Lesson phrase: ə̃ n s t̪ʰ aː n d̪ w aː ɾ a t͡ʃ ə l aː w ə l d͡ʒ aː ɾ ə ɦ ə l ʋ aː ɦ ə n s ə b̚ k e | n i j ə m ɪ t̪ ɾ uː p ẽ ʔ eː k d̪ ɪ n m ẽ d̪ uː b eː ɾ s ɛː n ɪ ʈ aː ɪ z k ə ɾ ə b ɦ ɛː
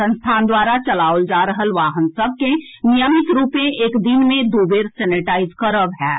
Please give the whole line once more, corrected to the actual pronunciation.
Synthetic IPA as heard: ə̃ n s t̪ʰ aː n d̪ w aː ɾ a t͡ʃ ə l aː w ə l d͡ʒ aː ɾ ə ɦ ə l ʋ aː ɦ ə n s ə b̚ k e | n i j ə m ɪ t̪ ɾ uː p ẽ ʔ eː k d̪ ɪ n m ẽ d̪ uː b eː ɾ s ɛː n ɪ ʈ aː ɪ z k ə ɾ ə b ɦ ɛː

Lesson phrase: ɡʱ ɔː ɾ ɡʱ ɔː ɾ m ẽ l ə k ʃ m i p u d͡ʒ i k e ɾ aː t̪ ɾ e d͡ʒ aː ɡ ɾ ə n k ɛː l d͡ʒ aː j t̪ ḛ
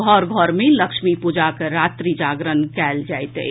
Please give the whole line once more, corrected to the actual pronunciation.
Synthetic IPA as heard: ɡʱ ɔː ɾ ɡʱ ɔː ɾ m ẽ l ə k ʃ m i p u d͡ʒ a k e ɾ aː t̪ ɾ i d͡ʒ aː ɡ ɾ ə n k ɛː l d͡ʒ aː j t̪ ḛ

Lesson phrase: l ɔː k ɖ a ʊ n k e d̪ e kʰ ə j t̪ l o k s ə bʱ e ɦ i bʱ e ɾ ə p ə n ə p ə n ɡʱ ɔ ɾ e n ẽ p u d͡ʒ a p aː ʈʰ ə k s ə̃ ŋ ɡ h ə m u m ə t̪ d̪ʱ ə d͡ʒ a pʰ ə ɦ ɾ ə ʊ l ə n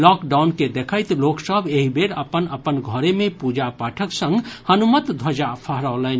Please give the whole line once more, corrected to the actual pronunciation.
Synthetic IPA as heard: l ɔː k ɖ a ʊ n k e d̪ e kʰ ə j t̪ l o k s ə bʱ e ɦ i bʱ e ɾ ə p ə n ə p ə n ɡʱ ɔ ɾ e m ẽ p u d͡ʒ a p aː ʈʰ ə k s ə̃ ŋ ɡ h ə n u m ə t̪ d̪ʱ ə d͡ʒ a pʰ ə ɦ ɾ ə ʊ l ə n

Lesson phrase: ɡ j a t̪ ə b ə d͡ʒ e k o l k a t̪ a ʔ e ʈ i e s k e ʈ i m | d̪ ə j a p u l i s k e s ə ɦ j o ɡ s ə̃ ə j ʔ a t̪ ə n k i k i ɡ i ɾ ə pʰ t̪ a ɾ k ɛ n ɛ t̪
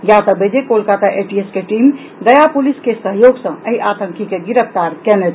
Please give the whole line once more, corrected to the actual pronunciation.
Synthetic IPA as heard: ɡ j a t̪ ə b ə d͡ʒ e k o l k a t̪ a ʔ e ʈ i e s k e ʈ i m | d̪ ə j a p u l i s k e s ə ɦ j o ɡ s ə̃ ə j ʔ a t̪ ə ŋ k i k e ɡ i ɾ ə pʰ t̪ a ɾ k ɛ n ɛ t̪

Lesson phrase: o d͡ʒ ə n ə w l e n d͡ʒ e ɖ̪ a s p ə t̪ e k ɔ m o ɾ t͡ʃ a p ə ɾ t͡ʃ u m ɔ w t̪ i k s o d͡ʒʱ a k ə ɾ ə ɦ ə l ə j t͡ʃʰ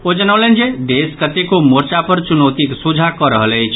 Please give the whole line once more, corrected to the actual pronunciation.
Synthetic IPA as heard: o d͡ʒ ə n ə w l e n d͡ʒ e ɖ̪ e s k ə t̪ e k o m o ɾ t͡ʃ a p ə ɾ t͡ʃ u n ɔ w t̪ i k s u d͡ʒʱ a k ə ɾ ə ɦ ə l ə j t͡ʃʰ

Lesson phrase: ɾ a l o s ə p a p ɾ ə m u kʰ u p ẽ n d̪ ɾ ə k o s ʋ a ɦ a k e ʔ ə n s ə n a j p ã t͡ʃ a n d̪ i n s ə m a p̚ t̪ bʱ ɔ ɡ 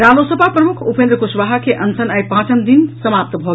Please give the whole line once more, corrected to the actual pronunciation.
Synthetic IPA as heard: ɾ a l o s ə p a p ɾ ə m u kʰ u p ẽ n d̪ ɾ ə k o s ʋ a ɦ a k e ʔ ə n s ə n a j p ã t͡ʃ ə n d̪ i n s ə m a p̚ t̪ bʱ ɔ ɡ

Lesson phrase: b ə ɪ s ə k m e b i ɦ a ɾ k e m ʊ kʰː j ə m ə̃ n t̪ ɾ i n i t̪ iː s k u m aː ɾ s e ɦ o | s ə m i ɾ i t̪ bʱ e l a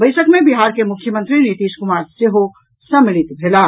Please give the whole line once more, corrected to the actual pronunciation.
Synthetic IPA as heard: b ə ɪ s ə k m e b i ɦ a ɾ k e m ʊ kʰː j ə m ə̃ n t̪ ɾ i n i t̪ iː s k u m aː ɾ s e ɦ o | s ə m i l i t̪ bʱ e l a

